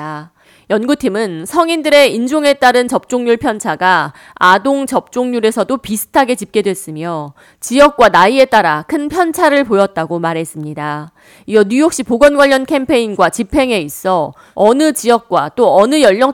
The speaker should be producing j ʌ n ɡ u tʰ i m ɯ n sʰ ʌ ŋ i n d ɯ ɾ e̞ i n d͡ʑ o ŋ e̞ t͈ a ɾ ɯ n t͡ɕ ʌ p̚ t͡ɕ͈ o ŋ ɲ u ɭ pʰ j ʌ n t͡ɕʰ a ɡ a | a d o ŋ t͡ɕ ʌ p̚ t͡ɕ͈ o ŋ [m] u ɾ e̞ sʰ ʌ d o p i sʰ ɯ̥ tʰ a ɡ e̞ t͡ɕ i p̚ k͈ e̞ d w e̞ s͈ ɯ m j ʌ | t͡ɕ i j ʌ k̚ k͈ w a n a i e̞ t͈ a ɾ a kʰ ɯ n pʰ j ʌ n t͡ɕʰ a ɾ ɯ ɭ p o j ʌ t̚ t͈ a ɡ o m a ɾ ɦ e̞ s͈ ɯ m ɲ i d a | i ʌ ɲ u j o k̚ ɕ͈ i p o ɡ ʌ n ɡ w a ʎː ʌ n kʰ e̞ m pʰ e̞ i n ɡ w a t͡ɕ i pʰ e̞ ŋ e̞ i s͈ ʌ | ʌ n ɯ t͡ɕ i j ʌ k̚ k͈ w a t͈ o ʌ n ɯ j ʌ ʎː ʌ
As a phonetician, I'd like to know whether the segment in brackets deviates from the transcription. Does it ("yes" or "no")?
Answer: yes